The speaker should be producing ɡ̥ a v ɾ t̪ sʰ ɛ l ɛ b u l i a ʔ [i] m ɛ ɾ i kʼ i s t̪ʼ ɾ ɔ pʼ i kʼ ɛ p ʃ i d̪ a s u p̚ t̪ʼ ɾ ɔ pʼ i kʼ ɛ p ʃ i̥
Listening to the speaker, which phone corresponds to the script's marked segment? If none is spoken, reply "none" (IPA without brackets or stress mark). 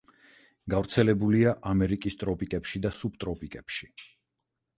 a